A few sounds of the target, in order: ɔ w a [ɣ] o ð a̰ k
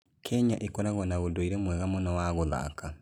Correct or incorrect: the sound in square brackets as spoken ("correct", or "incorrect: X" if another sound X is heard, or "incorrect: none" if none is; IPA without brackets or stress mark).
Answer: correct